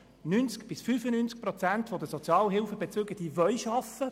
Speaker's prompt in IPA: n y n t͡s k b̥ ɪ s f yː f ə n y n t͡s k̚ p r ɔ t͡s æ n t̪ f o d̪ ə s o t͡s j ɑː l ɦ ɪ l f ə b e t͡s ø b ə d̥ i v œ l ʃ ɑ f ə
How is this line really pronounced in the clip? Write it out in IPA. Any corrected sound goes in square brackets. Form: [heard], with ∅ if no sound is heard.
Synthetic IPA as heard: n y n t͡s k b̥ ɪ s f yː f ə n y n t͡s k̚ p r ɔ t͡s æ n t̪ f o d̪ ə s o t͡s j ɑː l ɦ ɪ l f ə b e t͡s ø [ɡ] ə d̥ i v œ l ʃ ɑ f ə